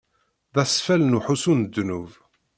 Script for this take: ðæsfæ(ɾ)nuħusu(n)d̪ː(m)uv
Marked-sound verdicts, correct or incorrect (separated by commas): incorrect, correct, incorrect